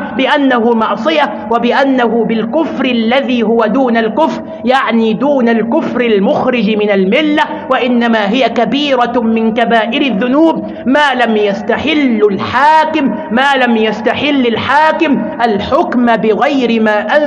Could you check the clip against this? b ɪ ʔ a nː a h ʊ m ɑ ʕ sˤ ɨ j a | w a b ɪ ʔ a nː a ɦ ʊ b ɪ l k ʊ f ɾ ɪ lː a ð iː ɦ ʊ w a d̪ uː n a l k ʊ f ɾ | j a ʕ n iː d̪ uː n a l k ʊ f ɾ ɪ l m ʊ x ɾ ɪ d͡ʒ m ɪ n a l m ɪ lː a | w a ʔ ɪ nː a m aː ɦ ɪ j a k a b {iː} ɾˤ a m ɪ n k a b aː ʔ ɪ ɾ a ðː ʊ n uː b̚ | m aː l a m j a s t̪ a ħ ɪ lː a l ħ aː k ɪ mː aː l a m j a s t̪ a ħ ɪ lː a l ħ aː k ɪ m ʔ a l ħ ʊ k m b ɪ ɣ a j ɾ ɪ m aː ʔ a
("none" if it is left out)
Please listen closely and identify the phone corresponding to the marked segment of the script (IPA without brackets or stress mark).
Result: iː